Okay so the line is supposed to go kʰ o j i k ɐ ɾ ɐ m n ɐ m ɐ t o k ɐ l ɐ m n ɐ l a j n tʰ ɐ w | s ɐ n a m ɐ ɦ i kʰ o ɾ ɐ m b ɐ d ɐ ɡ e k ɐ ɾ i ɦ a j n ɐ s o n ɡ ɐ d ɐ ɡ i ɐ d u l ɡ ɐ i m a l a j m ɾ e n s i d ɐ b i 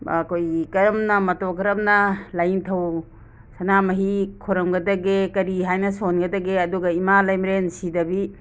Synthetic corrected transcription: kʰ o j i k ɐ ɾ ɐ m n ɐ m ɐ t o k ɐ ɾ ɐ m n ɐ l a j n tʰ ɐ w | s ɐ n a m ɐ ɦ i kʰ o ɾ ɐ m ɡ ɐ d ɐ ɡ e k ɐ ɾ i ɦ a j n ɐ s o n ɡ ɐ d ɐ ɡ e ɐ d u ɡ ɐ i m a l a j m ɾ e n s i d ɐ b i